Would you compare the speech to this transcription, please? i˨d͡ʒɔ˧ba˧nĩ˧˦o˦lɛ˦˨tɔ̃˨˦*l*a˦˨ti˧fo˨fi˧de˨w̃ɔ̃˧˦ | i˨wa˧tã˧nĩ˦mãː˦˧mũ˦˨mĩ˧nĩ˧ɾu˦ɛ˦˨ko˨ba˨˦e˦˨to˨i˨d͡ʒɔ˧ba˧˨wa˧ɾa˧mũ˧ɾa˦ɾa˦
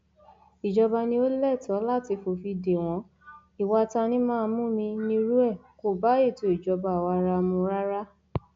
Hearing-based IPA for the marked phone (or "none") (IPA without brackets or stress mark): l